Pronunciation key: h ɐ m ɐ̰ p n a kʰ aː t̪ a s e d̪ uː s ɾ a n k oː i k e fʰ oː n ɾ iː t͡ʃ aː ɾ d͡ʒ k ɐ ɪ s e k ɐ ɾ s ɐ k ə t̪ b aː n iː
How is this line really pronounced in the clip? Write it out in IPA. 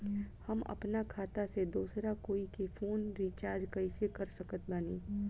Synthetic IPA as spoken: h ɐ m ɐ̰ p n a kʰ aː t̪ a s e d̪ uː s ɾ a k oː i k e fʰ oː n ɾ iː t͡ʃ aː ɾ d͡ʒ k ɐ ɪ s e k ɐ ɾ s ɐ k ə t̪ b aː n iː